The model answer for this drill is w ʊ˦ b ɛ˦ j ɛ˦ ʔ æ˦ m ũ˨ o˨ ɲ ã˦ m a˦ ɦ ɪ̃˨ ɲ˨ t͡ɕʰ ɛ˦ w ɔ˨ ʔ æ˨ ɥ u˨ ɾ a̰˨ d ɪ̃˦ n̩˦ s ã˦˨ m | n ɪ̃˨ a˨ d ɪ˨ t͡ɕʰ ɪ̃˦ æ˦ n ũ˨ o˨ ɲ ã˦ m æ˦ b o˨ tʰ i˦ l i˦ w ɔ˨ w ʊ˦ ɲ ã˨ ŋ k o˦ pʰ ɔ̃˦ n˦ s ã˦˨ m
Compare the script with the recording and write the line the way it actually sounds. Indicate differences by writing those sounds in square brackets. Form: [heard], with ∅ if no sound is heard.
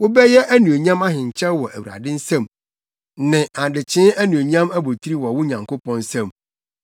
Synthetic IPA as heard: w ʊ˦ b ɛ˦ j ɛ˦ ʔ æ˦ [n] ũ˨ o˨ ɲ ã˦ m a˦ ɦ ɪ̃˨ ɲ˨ t͡ɕʰ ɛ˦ w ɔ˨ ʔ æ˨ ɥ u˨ ɾ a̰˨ d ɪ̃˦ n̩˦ s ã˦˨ m | n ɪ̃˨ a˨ d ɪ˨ t͡ɕʰ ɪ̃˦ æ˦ n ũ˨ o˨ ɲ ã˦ m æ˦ b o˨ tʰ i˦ [ɾ] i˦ w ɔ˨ w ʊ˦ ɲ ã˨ ŋ k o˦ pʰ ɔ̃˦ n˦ s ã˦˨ m